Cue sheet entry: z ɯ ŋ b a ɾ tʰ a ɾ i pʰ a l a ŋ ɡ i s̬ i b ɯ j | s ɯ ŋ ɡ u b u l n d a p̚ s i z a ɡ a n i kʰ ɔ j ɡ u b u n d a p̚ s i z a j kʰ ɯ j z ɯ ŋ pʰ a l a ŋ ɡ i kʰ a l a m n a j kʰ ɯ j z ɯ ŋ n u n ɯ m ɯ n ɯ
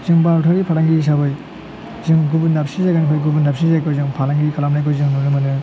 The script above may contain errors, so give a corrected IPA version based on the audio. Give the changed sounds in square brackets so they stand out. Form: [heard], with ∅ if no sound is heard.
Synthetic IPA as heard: z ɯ ŋ b a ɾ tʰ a ɾ i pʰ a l a ŋ ɡ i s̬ [a] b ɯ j | [z] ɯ ŋ ɡ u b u [∅] n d a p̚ s i z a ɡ a n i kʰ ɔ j ɡ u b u n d a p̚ s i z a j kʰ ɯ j z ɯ ŋ pʰ a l a ŋ ɡ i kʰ a l a m n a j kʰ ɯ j z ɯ ŋ n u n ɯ m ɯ n ɯ